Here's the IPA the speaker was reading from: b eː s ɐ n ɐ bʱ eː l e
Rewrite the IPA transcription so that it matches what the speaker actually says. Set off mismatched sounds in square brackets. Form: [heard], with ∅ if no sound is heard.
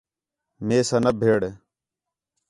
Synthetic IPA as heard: [m] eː s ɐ n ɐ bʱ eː [ɽ] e